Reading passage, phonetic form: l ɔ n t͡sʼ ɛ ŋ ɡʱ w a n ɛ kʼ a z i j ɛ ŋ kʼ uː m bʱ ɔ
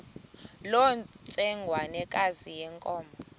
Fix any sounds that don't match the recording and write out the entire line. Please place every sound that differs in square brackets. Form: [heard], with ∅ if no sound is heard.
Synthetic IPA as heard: l ɔ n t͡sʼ ɛ ŋ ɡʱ w a n ɛ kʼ a z i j ɛ ŋ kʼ [ɔː] m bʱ ɔ